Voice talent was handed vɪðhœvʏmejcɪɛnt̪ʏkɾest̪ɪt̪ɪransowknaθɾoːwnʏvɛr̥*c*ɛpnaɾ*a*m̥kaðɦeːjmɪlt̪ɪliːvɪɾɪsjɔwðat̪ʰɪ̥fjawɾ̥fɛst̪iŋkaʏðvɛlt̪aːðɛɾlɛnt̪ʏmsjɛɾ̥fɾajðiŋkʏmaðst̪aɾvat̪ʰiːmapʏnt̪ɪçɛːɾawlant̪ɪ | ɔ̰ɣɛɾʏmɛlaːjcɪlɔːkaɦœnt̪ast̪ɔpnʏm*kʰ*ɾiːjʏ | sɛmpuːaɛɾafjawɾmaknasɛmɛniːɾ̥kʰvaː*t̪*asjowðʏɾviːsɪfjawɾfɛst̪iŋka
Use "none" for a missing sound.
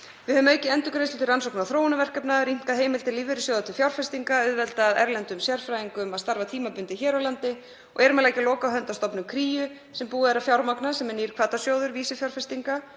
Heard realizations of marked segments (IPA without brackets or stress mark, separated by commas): k, i, kʰ, t̪